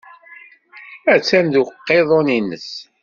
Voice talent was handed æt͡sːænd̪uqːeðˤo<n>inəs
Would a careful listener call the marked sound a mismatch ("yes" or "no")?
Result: no